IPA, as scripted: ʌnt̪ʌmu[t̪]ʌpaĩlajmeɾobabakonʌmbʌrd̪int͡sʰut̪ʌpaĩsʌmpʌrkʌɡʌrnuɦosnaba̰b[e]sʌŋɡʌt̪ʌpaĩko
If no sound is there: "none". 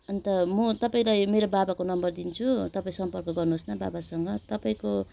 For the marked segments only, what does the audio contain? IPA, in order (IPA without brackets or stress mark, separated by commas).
t̪, a